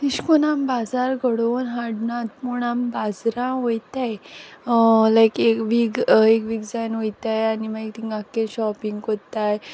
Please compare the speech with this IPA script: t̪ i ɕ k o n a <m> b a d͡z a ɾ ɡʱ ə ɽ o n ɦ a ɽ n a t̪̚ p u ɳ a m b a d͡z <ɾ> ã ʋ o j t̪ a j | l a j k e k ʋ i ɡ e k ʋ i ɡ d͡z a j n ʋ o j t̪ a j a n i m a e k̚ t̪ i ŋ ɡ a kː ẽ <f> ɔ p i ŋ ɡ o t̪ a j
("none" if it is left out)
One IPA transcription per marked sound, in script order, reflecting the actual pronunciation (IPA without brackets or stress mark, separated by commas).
m, ɾ, ɕ